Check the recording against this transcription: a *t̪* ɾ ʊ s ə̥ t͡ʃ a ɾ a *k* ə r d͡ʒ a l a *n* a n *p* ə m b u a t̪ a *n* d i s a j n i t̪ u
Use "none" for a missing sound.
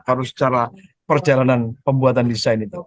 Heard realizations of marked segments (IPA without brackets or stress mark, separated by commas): none, p, n, p, n